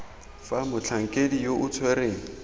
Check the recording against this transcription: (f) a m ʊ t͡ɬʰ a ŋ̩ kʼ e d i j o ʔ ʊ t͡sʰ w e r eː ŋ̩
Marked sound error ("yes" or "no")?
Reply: no